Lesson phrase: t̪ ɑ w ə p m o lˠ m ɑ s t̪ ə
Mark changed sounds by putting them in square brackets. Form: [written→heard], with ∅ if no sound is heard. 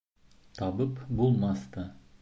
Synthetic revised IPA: [t̪→t̪ʰ] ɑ [w→b] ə p [m→b] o lˠ m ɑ s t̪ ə